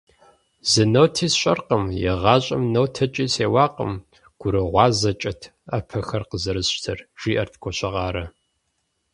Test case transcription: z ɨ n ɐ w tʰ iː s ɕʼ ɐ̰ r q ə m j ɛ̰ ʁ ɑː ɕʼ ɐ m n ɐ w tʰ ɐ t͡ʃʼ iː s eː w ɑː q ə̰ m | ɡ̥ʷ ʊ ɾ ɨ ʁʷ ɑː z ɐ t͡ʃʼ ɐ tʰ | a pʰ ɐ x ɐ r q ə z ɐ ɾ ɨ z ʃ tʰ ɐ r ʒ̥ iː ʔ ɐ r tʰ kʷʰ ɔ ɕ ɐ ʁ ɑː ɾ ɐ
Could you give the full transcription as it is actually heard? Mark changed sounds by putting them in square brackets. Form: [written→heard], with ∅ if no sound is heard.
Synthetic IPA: z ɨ n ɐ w tʰ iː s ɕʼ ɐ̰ r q ə m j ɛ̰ ʁ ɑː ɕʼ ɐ m n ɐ w tʰ ɐ t͡ʃʼ iː s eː w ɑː q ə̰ m | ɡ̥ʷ ʊ ɾ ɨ ʁʷ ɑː z ɐ t͡ʃʼ ɐ tʰ | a pʰ ɐ x ɐ r q ə z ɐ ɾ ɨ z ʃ tʰ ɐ r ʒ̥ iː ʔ ɐ r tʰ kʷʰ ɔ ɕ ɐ ʁ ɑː ɾ ɐ